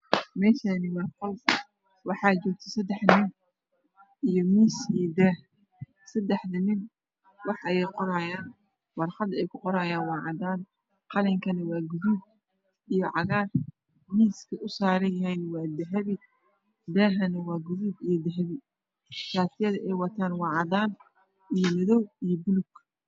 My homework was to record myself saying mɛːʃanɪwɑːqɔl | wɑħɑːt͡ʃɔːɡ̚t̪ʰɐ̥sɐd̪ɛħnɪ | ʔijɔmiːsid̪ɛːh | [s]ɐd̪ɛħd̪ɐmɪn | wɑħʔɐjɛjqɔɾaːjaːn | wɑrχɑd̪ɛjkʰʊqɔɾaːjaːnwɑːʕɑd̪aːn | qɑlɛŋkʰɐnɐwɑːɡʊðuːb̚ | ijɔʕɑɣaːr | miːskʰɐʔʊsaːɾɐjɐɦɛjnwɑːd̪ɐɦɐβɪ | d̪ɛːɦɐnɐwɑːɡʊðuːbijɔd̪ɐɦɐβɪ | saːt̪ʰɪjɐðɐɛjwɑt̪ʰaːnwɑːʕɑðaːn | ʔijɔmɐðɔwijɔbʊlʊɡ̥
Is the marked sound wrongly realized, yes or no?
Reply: no